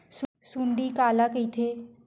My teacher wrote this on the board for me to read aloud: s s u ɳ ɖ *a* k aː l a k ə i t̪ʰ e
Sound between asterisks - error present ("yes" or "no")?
yes